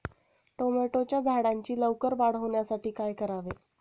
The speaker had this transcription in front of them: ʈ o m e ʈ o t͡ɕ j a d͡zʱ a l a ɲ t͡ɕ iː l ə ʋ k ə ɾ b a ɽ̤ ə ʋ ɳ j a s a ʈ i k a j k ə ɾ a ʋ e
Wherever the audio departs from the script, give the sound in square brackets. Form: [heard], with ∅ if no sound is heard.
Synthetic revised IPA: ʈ o m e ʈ o t͡ɕ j a d͡zʱ a [ɽ] a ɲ t͡ɕ iː l ə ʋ k ə ɾ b a ɽ̤ ə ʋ ɳ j a s a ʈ [iː] k a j k ə ɾ a ʋ e